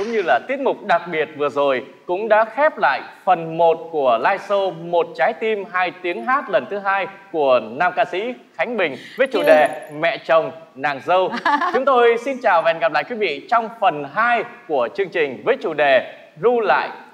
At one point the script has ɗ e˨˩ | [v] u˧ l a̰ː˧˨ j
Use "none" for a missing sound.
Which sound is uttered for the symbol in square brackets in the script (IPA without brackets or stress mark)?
z